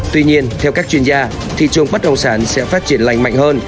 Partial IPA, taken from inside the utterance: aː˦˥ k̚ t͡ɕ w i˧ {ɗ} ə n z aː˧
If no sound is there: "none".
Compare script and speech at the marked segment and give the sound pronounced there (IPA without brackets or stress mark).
none